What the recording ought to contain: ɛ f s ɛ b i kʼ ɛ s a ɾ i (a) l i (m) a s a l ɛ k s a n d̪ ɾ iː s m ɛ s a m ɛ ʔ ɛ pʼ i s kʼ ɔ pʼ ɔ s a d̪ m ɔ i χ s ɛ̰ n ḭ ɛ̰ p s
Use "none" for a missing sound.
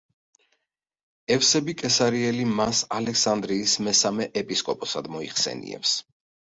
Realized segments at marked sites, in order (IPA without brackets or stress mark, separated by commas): ɛ, m